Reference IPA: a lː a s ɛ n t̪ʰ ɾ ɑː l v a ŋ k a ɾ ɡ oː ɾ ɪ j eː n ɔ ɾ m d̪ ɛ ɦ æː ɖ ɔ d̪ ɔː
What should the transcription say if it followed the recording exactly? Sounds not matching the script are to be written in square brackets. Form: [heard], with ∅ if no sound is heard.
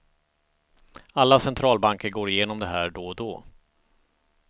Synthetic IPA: a lː a s ɛ n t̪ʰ ɾ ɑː l [b] a ŋ k [ə] ɾ ɡ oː ɾ ɪ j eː n ɔ [∅] m d̪ ɛ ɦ æː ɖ ɔ d̪ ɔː